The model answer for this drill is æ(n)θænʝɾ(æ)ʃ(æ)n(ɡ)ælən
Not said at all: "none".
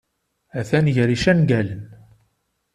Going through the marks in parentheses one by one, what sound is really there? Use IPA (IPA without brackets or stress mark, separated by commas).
none, i, æ, ɡ